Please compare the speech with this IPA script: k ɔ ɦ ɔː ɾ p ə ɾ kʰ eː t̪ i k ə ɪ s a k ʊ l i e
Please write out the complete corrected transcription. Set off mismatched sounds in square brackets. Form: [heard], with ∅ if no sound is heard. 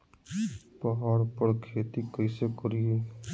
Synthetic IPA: [p] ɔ ɦ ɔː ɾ p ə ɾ kʰ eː t̪ i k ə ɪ s [e] k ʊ [ɾ] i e